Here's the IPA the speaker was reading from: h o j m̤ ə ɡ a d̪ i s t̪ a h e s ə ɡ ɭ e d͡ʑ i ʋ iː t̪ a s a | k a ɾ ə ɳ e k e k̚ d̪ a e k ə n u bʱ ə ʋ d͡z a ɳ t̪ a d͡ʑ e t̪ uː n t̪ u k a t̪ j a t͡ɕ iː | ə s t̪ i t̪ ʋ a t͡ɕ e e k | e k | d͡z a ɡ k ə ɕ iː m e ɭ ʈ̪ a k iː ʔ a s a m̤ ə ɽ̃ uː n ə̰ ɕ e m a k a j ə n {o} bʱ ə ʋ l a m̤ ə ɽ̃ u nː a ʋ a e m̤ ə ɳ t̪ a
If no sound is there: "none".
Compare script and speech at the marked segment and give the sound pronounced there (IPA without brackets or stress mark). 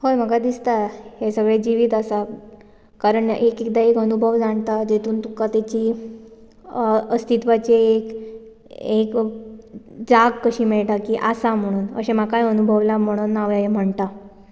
u